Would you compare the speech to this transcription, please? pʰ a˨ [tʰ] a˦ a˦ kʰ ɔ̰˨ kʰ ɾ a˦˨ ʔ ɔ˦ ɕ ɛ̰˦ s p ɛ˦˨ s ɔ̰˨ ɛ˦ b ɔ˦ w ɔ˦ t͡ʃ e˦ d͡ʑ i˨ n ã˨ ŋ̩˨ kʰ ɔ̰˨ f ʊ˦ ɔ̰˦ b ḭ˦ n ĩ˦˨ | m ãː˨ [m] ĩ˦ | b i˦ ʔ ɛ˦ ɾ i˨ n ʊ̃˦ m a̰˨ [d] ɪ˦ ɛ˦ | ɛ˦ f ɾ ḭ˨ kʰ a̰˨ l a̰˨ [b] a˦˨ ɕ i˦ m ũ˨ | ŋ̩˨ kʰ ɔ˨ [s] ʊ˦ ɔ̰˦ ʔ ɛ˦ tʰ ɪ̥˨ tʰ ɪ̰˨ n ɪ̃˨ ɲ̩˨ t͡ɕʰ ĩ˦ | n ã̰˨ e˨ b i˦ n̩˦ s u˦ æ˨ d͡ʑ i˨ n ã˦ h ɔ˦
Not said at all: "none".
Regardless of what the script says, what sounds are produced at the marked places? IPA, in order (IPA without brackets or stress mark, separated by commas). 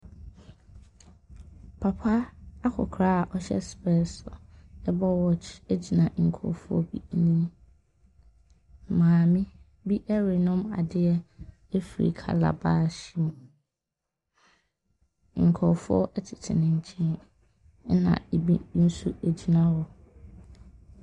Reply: pʰ, m, d, b, f